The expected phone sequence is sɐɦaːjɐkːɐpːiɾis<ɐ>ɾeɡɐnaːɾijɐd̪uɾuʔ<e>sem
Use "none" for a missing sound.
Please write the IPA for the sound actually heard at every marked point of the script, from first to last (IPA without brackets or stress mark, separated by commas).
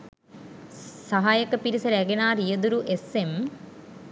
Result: ɐ, e